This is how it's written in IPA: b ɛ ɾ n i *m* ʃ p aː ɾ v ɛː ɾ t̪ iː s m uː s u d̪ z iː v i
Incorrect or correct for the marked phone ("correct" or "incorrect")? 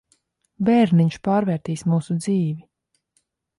incorrect